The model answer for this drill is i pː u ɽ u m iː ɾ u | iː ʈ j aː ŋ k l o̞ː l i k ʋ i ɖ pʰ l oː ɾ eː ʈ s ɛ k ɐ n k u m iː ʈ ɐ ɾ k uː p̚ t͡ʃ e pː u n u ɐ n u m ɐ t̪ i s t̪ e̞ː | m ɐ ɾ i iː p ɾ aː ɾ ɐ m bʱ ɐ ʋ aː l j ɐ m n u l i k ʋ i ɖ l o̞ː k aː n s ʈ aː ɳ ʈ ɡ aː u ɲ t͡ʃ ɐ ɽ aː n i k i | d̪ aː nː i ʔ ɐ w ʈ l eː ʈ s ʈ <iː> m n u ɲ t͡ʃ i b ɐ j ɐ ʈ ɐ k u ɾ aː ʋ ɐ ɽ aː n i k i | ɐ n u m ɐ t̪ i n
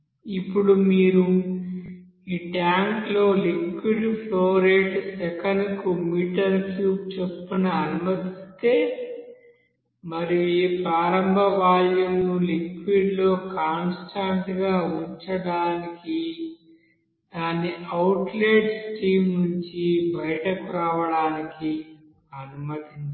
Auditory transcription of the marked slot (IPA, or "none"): iː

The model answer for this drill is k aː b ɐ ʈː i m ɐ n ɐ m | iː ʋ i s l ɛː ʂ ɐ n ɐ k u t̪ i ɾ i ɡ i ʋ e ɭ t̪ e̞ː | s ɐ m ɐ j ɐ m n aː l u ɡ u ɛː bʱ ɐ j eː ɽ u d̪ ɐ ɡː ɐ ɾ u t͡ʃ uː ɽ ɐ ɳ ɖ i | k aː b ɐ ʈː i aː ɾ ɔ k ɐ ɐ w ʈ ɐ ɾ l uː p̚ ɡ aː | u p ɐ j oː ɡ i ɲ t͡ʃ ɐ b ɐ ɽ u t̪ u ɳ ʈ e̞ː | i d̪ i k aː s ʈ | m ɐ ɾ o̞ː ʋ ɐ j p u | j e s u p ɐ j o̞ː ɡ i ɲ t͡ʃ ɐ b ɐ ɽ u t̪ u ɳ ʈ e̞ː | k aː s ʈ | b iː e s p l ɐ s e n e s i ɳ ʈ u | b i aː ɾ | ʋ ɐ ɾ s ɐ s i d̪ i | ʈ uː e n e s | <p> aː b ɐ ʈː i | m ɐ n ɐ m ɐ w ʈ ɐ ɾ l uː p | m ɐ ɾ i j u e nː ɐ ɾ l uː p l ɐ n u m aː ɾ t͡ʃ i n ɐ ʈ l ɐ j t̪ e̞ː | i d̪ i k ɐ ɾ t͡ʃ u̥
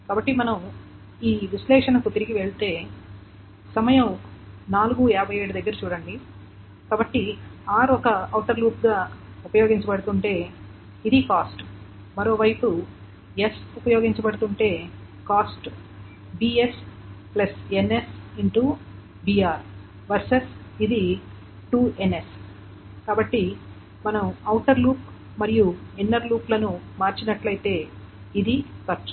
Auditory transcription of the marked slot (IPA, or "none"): k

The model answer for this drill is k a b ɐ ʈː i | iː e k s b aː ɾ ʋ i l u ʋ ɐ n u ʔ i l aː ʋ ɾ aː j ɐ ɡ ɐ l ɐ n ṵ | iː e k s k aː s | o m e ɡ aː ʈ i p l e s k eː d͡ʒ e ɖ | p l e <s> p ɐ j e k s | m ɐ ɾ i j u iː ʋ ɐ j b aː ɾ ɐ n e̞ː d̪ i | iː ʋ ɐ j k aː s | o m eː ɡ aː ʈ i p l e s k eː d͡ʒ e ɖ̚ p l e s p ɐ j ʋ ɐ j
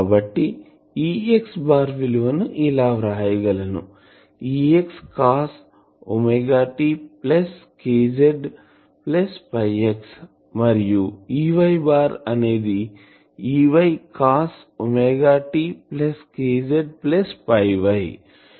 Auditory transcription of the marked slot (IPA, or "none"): s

